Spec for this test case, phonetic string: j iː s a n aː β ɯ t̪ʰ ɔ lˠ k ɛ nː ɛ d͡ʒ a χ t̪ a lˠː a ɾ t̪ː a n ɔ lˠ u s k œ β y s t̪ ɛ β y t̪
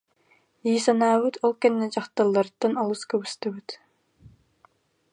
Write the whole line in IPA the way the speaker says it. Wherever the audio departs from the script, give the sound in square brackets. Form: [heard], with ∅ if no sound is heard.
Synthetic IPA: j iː s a n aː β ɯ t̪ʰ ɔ lˠ k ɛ nː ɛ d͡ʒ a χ t̪ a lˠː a ɾ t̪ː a n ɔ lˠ u s k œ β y s t̪ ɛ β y t̪